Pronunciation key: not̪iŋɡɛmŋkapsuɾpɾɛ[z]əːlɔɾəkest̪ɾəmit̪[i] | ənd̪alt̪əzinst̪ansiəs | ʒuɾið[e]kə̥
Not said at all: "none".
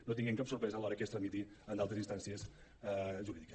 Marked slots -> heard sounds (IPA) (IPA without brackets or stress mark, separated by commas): z, i, i